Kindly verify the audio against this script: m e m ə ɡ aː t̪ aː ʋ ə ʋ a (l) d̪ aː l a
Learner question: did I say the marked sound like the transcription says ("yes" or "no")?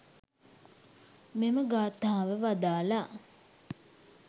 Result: no